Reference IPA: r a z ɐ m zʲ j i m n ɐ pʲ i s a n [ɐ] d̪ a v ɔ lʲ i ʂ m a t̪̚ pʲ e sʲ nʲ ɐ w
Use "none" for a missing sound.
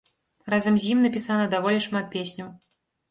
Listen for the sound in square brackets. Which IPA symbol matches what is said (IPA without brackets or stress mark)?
ɐ